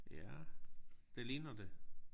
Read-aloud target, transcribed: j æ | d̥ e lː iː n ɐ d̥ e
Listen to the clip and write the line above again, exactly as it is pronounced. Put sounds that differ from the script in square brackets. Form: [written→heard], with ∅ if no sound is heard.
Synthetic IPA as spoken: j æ | d̥ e [lː→l] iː n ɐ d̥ e